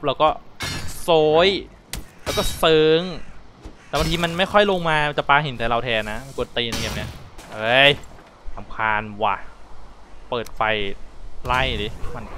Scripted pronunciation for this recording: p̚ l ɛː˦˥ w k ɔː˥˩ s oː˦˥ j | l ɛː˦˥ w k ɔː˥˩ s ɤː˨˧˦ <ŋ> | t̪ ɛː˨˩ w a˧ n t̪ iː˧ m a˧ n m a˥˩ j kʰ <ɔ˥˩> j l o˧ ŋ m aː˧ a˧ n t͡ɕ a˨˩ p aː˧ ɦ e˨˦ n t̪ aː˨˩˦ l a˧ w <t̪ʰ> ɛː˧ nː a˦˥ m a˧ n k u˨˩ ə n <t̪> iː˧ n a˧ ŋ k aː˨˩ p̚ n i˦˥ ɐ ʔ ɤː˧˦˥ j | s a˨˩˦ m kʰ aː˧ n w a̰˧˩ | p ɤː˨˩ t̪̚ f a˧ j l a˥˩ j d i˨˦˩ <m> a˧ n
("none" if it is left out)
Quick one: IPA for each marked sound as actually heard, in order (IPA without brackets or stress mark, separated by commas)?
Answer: ŋ, ɔ˥˩, t̪ʰ, t̪, m